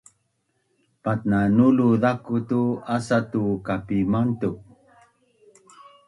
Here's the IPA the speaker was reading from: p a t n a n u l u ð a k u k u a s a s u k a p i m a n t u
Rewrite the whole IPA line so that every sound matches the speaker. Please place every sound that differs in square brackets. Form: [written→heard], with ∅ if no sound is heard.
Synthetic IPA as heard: p a t n a n u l u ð a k u [k→t] u a s a [s→t] u k a p i m a n t u

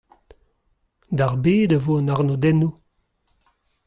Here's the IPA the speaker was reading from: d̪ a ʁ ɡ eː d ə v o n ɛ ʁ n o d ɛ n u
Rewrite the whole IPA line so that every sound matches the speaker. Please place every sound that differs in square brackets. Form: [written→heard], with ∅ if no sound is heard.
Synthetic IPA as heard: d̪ a ʁ [ɡ→b] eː d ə v o n [ɛ→a] ʁ n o d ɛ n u

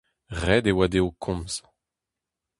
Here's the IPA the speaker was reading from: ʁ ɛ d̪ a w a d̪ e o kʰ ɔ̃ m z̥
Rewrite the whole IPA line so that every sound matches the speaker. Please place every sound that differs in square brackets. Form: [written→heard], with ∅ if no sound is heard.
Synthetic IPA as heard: ʁ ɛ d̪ [a→e] w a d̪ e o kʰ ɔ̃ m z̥

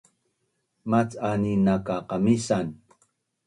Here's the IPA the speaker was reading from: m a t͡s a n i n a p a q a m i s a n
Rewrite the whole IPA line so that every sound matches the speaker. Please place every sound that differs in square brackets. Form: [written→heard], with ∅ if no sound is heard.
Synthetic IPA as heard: m a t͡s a n i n a [p→k] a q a m i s a n

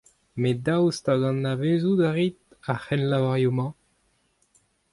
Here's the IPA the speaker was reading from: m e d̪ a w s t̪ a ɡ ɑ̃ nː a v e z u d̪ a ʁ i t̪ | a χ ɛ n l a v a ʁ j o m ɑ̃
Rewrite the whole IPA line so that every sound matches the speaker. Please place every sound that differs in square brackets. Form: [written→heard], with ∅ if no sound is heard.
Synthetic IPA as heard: m e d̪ a w s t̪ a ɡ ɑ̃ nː a v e z u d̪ a ʁ i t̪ | a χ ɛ n l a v a ʁ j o m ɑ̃

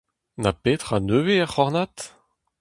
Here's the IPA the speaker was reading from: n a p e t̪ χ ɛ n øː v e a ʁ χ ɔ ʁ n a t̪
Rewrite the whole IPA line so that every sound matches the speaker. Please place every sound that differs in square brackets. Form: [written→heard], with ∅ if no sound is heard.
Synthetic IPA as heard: n a p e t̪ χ [ɛ→a] n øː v e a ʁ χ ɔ ʁ n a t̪

